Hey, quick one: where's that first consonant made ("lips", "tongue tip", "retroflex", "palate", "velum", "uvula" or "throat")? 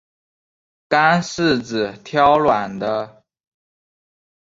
velum